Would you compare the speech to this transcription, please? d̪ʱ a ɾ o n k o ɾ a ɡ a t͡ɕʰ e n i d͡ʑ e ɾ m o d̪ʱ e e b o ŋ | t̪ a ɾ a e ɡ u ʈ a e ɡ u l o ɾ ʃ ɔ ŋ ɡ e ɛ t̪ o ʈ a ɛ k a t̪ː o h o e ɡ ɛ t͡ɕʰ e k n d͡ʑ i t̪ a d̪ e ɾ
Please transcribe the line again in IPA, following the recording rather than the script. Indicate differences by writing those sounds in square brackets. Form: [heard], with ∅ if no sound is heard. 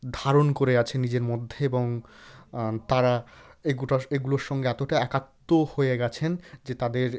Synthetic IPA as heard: d̪ʱ a ɾ o n k o ɾ [e] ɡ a t͡ɕʰ e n i d͡ʑ e ɾ m o [d̪ʱː] e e b o ŋ | t̪ a ɾ a e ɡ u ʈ a e ɡ u l o ɾ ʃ ɔ ŋ ɡ e ɛ t̪ o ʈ a ɛ k a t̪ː o h o e ɡ ɛ t͡ɕʰ e [∅] n d͡ʑ [e] t̪ a d̪ e ɾ